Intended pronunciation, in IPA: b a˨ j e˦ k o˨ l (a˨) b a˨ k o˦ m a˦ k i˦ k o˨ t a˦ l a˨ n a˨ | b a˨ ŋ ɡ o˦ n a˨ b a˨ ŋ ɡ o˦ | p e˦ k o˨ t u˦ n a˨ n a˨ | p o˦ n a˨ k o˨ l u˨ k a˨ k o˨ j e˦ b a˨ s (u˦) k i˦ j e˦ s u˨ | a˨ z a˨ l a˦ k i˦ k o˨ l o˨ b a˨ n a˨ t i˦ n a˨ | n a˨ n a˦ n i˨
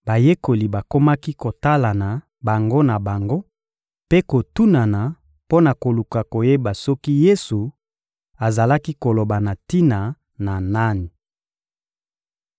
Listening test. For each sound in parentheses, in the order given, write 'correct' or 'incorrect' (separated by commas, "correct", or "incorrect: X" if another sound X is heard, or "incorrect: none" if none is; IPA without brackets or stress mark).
incorrect: i˨, incorrect: ɔ˦